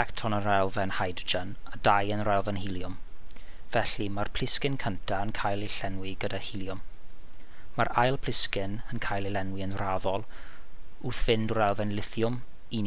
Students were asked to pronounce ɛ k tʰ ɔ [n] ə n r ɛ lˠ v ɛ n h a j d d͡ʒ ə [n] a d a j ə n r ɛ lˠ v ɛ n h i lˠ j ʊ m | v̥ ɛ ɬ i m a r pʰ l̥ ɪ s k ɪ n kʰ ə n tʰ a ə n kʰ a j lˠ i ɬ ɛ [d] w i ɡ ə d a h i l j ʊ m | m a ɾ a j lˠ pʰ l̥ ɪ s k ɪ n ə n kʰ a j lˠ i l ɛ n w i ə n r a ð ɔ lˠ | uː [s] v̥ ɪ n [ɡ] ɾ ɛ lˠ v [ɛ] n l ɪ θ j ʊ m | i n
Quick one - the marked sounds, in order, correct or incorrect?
correct, correct, incorrect, incorrect, incorrect, correct

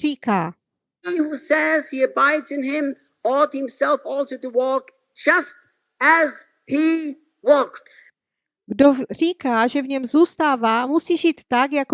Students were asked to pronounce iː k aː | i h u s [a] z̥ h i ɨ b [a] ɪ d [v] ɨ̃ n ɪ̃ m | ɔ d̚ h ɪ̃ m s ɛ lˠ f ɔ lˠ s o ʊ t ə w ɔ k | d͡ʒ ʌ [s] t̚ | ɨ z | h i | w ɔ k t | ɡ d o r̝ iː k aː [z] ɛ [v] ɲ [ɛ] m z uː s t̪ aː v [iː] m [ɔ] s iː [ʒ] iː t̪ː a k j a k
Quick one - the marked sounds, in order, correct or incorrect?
incorrect, correct, incorrect, correct, incorrect, correct, correct, incorrect, incorrect, correct

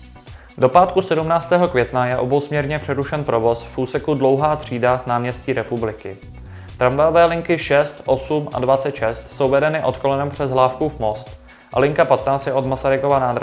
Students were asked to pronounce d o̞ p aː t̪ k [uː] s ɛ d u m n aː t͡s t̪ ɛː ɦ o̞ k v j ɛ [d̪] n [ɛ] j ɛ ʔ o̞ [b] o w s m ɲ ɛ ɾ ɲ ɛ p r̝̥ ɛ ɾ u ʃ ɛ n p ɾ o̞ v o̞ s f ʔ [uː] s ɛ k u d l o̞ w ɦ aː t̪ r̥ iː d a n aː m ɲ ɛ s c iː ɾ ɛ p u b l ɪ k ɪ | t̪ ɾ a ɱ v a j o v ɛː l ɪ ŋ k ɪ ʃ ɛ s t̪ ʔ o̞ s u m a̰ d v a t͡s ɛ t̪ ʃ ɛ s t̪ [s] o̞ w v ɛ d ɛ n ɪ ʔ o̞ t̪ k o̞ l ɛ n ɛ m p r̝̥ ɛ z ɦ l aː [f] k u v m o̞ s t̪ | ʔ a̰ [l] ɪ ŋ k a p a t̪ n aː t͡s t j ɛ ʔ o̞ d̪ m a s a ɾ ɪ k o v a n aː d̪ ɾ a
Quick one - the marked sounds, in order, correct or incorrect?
incorrect, incorrect, incorrect, correct, correct, correct, correct, correct

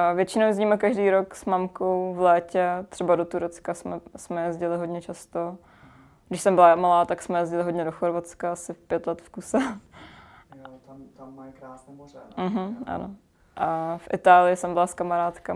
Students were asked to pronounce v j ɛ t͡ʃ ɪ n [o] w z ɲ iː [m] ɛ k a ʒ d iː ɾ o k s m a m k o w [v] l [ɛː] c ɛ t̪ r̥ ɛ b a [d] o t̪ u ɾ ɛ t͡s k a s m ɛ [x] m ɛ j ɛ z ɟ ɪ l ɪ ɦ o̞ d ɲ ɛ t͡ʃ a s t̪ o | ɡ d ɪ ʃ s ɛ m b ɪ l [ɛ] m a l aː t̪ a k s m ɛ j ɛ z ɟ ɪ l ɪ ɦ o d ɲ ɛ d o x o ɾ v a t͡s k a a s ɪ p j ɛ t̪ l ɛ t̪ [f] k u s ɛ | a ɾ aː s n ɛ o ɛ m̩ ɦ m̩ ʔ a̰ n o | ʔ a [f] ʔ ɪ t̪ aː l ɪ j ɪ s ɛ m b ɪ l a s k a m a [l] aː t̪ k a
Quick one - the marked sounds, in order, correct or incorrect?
correct, correct, correct, correct, correct, incorrect, incorrect, correct, correct, incorrect

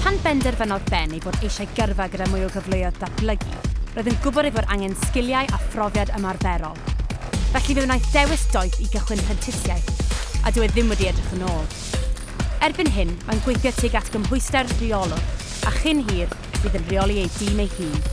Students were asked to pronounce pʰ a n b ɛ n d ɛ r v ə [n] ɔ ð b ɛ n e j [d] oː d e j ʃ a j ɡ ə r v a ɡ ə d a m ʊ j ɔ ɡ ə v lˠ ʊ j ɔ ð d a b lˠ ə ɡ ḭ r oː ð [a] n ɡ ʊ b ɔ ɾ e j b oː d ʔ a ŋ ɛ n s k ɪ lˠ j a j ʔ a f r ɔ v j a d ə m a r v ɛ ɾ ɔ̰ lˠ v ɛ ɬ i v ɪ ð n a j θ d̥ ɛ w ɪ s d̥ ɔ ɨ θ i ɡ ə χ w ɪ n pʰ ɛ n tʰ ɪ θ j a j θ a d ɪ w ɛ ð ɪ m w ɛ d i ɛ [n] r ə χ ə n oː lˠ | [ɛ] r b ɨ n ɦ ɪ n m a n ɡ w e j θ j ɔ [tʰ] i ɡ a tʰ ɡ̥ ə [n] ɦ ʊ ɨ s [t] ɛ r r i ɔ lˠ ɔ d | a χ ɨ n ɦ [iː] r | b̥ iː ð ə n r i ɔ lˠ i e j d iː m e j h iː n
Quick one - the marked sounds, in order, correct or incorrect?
correct, incorrect, incorrect, incorrect, correct, correct, incorrect, correct, correct

